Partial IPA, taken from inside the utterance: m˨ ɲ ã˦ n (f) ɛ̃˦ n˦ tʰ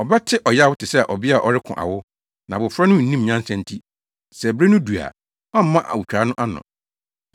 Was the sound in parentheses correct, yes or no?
no